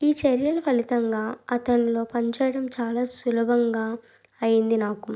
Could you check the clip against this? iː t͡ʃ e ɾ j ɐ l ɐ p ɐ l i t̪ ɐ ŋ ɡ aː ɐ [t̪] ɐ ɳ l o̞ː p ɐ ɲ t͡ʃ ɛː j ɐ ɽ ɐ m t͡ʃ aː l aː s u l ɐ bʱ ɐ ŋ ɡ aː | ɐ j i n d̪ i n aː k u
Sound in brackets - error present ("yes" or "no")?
no